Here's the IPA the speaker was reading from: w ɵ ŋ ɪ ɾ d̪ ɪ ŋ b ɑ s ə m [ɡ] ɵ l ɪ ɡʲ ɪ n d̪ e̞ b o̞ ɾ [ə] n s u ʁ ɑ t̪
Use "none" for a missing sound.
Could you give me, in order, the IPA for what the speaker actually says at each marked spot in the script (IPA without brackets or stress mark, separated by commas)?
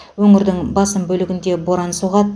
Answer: b, ɑ